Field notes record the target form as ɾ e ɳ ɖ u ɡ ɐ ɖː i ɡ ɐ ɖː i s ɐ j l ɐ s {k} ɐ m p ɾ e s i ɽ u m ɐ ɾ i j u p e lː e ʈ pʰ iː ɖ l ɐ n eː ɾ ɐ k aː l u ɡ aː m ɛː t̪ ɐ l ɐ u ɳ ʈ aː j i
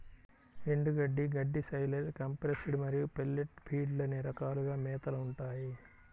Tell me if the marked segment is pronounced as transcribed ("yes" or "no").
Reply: yes